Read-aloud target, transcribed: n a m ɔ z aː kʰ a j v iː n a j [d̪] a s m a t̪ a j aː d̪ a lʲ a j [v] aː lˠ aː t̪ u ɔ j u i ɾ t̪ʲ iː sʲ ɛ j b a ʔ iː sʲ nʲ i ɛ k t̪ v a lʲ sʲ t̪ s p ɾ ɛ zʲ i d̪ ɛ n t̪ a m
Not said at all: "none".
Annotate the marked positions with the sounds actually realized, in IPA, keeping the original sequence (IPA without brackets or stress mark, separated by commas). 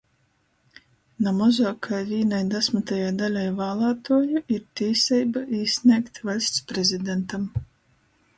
d̪, v